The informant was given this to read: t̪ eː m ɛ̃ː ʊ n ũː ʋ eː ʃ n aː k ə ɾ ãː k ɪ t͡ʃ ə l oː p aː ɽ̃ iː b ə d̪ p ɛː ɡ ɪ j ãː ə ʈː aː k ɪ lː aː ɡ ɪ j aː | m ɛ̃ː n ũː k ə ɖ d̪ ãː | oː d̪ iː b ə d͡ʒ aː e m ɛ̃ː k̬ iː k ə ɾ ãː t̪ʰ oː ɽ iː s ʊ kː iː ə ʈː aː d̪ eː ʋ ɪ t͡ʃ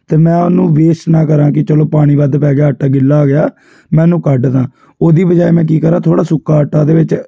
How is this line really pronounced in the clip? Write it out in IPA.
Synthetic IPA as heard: t̪ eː m ɛ̃ː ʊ n ũː ʋ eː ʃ n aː k ə ɾ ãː k ɪ t͡ʃ ə l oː p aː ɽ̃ iː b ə d̪ p ɛː ɡ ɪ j aː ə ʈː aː ɡ ɪ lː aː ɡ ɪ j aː | m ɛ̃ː n ũː k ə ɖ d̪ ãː | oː d̪ iː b ə d͡ʒ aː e m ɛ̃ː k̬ iː k ə ɾ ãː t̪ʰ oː ɽ aː s ʊ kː aː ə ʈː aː d̪ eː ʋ ɪ t͡ʃ